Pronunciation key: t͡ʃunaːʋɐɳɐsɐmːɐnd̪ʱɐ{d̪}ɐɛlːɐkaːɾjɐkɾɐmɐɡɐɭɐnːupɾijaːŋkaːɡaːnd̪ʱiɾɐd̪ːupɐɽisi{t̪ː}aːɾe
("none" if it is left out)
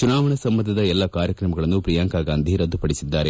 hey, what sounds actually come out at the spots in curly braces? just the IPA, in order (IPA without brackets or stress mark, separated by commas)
d̪, d̪ː